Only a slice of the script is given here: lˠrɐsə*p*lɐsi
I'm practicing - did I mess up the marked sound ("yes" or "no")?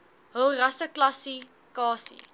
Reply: yes